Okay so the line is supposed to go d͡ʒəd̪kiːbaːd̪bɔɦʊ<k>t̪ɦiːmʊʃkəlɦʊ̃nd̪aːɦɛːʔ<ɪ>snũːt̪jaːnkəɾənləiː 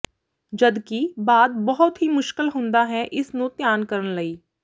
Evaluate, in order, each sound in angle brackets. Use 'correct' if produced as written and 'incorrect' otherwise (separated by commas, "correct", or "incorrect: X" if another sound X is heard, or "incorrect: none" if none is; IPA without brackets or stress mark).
incorrect: none, correct